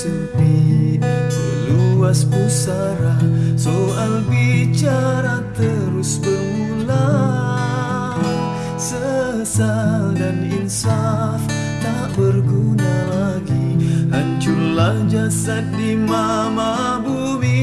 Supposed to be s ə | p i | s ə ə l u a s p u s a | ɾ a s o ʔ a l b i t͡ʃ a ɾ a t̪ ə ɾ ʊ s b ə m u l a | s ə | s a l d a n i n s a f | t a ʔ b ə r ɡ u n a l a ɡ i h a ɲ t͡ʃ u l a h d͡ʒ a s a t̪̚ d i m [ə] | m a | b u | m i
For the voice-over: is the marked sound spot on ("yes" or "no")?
no